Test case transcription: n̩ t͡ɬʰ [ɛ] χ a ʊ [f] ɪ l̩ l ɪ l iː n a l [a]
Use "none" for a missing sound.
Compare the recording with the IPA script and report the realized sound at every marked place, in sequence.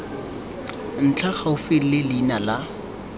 a, f, a

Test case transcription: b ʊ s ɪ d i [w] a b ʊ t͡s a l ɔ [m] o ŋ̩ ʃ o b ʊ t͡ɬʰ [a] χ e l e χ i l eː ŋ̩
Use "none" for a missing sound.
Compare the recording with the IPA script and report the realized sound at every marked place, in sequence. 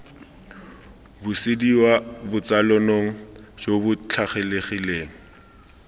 w, n, a

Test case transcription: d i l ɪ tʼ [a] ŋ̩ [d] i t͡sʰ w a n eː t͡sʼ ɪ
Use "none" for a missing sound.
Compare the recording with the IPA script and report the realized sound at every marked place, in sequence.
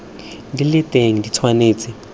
e, d

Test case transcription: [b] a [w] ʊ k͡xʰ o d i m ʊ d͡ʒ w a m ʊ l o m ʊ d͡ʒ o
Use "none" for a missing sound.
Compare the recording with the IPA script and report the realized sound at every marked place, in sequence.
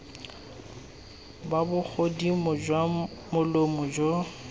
b, b

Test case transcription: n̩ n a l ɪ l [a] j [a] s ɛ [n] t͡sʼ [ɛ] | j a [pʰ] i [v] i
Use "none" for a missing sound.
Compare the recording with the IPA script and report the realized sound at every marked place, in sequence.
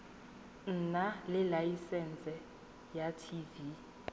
a, i, n, ɛ, tʰ, v

